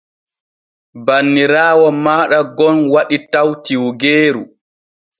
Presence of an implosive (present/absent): present